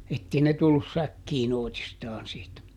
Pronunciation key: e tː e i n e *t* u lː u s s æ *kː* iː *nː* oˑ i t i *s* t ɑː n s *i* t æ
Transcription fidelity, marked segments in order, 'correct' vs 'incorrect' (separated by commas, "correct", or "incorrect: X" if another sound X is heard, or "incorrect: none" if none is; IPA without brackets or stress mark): correct, correct, incorrect: n, correct, incorrect: iː